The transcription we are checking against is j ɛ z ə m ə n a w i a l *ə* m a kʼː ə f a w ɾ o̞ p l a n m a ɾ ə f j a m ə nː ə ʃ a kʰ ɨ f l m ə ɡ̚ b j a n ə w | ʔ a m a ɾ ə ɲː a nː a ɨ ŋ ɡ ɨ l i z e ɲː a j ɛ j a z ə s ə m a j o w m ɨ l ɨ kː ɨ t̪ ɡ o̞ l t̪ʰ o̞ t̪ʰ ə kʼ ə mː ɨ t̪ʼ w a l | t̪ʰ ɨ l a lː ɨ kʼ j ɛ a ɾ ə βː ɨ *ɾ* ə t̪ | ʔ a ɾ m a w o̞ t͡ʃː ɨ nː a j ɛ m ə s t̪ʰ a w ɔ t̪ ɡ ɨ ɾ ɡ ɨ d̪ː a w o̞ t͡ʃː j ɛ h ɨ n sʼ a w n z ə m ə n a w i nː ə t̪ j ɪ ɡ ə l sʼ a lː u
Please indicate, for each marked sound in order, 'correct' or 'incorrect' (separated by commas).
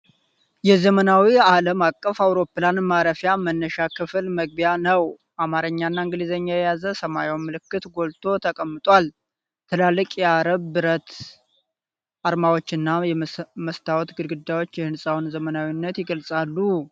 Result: correct, correct